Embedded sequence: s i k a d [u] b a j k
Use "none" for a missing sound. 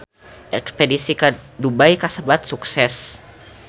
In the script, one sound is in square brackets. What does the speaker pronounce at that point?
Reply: u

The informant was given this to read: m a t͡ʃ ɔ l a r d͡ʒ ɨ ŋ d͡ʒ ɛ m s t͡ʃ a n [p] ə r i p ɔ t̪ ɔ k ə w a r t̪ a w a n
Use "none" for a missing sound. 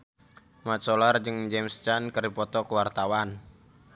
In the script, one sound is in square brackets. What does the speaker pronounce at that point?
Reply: k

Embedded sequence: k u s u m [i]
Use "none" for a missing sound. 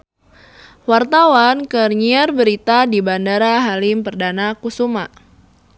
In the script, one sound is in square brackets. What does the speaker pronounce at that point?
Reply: a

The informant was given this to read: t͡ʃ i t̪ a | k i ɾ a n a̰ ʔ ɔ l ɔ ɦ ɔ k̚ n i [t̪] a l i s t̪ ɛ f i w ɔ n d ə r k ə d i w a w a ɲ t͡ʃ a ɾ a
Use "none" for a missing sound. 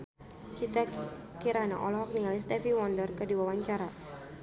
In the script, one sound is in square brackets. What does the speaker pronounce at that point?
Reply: none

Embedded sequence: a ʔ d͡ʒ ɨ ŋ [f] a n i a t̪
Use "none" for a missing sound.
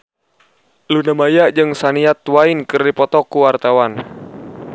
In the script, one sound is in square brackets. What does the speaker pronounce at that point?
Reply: s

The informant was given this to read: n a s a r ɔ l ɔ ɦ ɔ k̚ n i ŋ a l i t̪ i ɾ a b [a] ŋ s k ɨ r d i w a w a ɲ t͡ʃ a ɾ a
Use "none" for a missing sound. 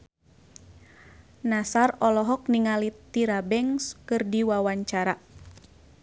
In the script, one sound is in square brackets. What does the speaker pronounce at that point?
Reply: ɛ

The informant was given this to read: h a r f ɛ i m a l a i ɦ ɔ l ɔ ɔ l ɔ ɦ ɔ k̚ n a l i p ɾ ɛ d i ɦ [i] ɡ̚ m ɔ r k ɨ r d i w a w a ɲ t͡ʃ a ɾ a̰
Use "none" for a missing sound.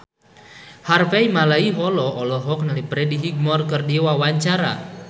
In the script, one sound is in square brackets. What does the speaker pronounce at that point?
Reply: i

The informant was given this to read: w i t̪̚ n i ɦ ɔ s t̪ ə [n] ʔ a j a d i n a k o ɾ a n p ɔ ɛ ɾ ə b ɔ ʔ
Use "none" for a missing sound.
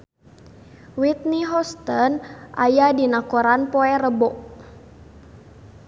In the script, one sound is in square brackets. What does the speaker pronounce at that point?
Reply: n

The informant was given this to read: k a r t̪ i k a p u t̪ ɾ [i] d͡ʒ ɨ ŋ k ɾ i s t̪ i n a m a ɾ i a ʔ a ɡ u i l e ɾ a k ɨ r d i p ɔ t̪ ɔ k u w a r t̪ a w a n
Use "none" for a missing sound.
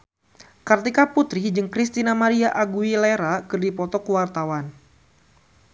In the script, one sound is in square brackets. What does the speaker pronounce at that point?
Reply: i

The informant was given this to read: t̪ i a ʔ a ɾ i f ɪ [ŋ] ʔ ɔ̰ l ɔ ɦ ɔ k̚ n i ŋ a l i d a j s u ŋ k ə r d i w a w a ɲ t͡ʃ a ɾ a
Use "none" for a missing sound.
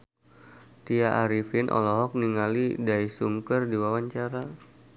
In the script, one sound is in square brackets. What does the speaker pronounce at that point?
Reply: n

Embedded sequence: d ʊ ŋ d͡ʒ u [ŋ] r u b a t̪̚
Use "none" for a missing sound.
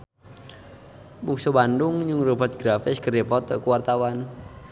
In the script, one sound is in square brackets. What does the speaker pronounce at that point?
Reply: ŋ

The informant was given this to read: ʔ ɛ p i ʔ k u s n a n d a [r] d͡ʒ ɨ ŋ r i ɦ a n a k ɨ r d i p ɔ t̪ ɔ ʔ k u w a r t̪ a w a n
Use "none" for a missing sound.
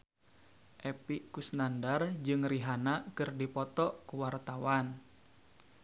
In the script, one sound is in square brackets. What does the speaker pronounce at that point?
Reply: r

